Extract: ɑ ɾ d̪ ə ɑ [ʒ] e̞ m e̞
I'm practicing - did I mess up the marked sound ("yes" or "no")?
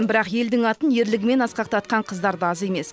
yes